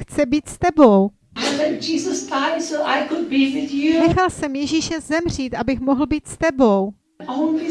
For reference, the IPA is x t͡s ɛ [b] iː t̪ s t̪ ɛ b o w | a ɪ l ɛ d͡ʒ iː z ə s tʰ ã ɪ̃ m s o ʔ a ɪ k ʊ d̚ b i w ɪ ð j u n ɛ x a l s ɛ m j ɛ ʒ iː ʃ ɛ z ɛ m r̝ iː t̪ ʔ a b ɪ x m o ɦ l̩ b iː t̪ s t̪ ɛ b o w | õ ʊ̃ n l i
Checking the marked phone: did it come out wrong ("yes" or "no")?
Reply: no